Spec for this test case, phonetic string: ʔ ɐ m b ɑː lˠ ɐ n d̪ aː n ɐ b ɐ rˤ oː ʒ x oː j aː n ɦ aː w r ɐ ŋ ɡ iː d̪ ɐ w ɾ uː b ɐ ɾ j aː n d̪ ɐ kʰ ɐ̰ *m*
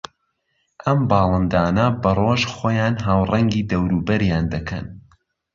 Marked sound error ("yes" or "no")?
yes